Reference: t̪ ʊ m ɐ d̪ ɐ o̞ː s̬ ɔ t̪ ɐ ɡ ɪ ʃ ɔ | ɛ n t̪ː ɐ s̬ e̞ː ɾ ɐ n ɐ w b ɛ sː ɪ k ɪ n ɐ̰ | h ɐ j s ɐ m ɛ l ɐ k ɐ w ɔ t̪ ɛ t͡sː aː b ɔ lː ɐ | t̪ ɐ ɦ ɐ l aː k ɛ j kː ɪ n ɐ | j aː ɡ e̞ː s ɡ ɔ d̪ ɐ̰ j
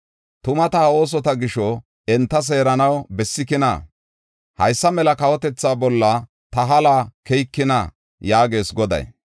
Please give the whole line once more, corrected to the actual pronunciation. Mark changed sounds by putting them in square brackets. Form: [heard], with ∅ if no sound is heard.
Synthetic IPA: t̪ ʊ m ɐ [t̪] ɐ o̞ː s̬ ɔ t̪ ɐ ɡ ɪ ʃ ɔ | ɛ n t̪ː ɐ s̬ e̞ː ɾ ɐ n ɐ w b ɛ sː ɪ k ɪ n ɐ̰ | h ɐ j [sː] ɐ m ɛ l ɐ k ɐ w ɔ t̪ ɛ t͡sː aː b ɔ lː ɐ | t̪ ɐ ɦ ɐ l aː k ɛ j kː ɪ n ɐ | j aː ɡ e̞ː s ɡ ɔ d̪ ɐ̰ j